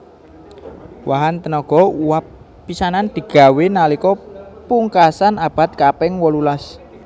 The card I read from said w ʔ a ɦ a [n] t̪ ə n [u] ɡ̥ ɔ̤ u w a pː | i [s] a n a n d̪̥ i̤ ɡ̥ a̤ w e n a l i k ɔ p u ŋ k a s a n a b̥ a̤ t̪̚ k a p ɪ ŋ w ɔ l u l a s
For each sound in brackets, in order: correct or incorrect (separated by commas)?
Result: correct, incorrect, correct